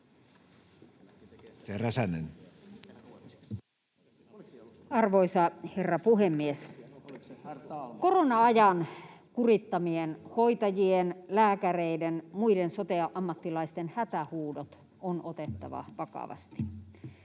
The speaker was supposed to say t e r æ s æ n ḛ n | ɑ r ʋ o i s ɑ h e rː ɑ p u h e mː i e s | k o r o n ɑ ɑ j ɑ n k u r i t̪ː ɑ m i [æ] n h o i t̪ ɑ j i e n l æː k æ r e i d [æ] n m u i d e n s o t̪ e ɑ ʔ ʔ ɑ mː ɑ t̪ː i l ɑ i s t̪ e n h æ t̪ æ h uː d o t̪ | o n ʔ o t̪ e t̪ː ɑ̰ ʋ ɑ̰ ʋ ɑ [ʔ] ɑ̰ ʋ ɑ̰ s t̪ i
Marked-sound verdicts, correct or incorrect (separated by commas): incorrect, incorrect, incorrect